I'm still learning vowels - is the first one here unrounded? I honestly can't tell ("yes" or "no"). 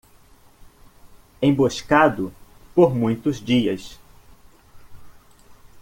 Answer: yes